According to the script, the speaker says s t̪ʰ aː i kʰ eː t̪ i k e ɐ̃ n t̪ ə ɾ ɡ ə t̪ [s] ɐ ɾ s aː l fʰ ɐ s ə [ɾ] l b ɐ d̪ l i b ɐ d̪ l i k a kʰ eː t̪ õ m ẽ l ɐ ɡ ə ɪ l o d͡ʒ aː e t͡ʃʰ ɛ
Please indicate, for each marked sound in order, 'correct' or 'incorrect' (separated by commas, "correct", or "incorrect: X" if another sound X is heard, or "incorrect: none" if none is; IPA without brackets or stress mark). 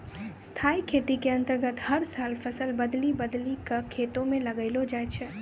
incorrect: h, incorrect: none